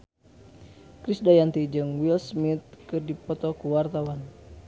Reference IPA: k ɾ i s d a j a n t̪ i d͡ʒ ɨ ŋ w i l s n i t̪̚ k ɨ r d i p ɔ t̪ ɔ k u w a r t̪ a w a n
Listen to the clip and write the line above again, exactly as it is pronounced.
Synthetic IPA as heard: k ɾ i s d a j a n t̪ i d͡ʒ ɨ ŋ w i l s m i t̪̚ k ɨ r d i p ɔ t̪ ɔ k u w a r t̪ a w a n